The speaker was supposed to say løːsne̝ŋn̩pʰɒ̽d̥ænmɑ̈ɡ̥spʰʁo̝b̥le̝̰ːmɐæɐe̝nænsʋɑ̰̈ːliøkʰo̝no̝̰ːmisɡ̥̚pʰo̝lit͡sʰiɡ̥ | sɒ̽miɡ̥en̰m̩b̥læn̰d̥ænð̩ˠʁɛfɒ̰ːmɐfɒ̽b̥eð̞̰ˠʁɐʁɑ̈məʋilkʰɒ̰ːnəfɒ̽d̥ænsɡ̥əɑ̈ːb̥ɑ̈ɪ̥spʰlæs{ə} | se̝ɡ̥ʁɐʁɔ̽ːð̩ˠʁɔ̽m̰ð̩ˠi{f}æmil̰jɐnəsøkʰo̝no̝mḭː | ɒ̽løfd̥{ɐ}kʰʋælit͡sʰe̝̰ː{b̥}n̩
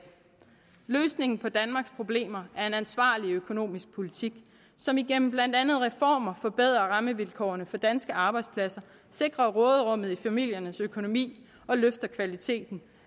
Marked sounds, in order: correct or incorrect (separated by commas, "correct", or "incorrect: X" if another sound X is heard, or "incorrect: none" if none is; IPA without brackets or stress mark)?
incorrect: ɐ, correct, correct, incorrect: d̥